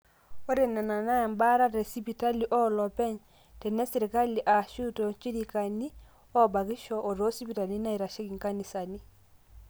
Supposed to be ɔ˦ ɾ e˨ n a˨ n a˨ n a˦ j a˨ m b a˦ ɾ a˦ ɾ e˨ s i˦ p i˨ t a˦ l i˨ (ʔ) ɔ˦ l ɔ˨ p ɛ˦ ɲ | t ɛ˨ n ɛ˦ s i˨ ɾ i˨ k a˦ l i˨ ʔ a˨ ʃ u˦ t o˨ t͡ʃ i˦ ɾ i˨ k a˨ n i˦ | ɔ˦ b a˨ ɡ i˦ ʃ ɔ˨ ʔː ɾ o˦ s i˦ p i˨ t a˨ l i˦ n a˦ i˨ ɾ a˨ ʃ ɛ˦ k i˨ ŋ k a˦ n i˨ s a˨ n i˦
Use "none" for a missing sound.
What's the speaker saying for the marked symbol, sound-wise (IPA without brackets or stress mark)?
ʔ